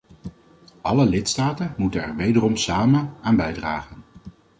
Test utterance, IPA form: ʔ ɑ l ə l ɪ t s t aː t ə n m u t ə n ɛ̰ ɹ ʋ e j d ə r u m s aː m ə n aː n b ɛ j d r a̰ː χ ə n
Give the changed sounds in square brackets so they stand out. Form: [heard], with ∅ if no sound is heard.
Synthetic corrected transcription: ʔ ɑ l ə l ɪ t s t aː t ə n m u t ə n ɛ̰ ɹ ʋ e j d ə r [ɔ] m s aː m ə n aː n b ɛ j d r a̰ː χ ə n